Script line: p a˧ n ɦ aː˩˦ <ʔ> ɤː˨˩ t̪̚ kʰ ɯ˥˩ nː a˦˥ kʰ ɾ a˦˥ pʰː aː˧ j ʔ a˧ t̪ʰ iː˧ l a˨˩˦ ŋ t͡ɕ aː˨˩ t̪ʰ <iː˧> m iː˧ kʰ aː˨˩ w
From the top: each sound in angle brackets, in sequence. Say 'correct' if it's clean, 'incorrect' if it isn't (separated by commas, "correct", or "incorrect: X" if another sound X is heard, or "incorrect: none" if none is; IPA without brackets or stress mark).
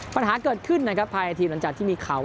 incorrect: k, incorrect: iː˥˩